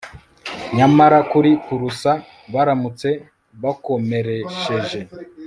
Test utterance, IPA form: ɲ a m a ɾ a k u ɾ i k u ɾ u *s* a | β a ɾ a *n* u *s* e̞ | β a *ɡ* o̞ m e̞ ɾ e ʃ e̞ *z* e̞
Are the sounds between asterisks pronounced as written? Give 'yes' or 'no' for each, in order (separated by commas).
yes, no, no, no, no